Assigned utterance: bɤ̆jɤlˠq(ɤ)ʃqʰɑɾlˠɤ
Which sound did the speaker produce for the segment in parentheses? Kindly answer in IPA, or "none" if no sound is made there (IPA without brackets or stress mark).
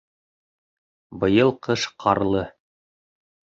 ɤ